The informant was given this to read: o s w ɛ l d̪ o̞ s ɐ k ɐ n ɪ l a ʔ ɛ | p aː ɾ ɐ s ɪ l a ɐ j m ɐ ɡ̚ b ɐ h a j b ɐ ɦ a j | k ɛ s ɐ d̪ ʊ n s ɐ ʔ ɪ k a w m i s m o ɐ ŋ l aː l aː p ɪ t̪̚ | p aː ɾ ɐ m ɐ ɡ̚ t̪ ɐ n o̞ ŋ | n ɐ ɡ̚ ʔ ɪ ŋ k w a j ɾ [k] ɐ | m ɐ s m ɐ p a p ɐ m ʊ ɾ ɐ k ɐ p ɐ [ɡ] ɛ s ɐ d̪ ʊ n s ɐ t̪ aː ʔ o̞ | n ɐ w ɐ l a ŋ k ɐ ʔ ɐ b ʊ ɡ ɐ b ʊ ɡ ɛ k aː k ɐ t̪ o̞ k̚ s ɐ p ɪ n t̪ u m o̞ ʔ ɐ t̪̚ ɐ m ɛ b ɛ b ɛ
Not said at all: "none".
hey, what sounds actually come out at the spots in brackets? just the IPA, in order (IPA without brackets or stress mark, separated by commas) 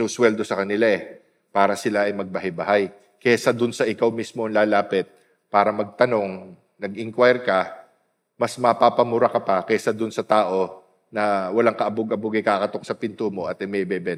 k, k